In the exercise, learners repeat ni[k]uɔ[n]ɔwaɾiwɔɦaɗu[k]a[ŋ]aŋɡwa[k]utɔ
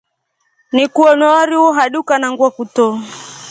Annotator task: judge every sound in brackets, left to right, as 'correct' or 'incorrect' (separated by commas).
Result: correct, correct, correct, incorrect, correct